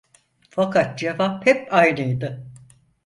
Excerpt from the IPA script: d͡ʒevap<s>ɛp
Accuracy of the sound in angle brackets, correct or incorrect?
incorrect